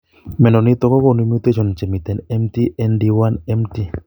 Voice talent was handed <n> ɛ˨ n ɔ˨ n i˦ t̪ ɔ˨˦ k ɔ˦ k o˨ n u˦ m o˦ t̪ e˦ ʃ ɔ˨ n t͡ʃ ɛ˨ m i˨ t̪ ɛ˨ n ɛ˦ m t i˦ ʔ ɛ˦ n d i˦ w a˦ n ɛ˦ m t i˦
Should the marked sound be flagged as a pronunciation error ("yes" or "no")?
yes